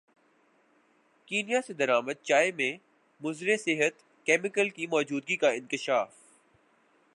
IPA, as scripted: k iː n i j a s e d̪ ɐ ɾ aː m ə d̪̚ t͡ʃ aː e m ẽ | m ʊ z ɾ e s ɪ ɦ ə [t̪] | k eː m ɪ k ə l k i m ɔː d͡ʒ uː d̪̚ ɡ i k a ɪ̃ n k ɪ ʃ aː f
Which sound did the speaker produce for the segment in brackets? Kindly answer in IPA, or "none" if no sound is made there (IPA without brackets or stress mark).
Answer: t̪